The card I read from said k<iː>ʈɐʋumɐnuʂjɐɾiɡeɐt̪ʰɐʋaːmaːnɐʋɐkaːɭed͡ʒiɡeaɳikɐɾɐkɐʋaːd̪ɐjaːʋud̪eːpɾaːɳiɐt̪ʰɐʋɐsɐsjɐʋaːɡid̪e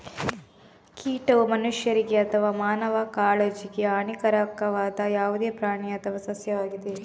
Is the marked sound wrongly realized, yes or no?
no